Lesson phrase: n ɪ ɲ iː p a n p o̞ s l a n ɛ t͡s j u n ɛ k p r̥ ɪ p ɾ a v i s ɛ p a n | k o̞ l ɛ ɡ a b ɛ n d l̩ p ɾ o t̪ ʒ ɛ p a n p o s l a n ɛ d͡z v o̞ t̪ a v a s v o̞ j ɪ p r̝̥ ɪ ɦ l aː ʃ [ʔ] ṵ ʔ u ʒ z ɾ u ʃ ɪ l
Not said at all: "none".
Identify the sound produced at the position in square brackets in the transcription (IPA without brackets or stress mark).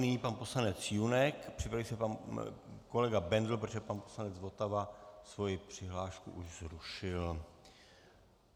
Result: k